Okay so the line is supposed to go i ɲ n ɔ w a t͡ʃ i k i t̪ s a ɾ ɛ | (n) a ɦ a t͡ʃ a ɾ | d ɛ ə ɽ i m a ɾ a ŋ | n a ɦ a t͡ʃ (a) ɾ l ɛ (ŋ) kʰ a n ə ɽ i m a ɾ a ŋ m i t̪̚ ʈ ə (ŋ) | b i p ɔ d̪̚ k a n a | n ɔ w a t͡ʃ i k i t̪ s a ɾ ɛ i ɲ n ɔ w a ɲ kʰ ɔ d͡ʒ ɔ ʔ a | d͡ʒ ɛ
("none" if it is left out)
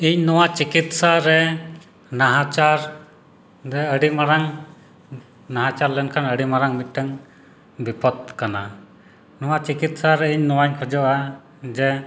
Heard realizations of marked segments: n, a, n, ŋ

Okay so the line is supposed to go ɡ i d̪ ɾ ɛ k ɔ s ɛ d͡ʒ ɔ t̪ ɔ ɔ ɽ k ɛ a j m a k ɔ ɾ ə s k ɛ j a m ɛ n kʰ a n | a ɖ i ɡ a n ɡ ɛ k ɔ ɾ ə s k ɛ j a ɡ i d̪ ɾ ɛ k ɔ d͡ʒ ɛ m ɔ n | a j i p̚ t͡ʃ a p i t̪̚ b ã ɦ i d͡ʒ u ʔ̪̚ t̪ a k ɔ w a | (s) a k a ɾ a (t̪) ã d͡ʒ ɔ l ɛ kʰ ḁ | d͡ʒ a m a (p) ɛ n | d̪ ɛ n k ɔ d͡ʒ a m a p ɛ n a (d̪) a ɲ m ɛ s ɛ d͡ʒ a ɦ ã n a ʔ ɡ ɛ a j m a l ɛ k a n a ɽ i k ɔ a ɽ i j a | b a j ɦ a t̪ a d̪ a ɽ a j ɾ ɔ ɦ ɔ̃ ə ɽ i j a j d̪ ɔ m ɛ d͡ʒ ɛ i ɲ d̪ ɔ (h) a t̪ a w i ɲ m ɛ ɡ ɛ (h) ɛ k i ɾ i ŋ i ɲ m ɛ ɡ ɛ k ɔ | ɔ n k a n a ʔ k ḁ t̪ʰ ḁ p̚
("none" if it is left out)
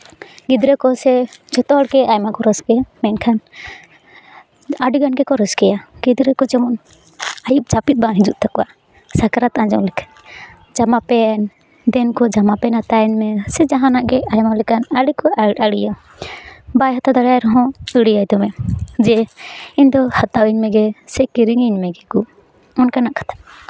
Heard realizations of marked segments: s, t̪, p, t̪, h, s

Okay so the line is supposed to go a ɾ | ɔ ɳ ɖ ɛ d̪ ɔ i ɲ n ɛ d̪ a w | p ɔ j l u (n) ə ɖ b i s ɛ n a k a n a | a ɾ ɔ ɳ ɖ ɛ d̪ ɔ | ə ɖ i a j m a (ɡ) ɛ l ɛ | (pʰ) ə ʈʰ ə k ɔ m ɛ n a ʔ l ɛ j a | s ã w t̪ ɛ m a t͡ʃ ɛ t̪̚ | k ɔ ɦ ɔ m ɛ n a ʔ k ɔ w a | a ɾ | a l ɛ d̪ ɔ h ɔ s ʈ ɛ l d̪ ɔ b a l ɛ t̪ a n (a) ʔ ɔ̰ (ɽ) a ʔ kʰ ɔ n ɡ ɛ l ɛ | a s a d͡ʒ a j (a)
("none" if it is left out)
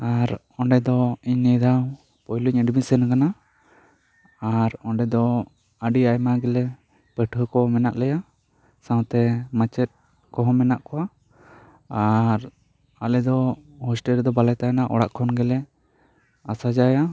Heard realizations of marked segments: ɲ, ɡ, p, a, ɽ, a

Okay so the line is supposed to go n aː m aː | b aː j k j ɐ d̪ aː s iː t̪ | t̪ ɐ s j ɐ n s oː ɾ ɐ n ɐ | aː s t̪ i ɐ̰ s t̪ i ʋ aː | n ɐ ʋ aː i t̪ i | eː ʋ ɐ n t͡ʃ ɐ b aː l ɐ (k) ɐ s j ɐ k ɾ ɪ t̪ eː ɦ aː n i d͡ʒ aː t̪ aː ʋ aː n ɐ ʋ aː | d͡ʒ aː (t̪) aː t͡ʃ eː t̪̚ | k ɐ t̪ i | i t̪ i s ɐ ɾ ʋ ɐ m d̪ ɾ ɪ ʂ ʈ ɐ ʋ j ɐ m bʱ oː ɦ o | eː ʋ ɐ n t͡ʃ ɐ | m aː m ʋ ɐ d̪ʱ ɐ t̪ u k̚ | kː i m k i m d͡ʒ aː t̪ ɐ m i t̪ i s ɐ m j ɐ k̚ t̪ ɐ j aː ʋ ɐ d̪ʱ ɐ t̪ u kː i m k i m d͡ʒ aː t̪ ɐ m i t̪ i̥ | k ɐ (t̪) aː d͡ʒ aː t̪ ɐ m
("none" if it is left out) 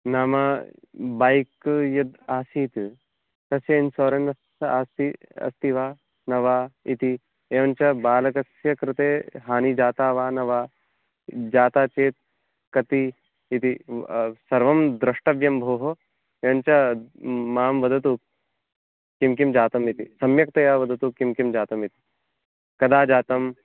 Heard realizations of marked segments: k, t̪, d̪

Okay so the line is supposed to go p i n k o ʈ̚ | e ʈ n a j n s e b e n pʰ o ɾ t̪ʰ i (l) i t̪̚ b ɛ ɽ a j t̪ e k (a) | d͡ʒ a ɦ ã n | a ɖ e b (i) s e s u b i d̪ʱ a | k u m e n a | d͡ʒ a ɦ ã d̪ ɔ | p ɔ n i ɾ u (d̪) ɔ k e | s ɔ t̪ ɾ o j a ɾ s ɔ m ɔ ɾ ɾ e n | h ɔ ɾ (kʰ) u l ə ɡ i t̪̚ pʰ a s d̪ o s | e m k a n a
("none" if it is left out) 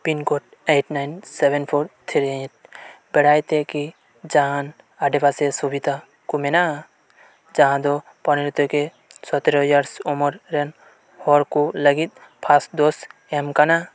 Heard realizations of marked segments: ɾ, i, a, t̪, k

